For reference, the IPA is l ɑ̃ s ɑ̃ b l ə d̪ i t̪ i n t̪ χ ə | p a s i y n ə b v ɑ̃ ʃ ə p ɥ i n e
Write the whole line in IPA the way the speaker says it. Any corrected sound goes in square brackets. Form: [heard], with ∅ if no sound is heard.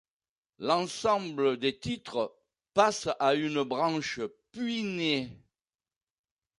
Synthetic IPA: l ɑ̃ s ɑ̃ b l ə d̪ [e] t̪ i [∅] t̪ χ ə | p a s [a] y n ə b [ʁ] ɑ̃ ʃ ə p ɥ i n e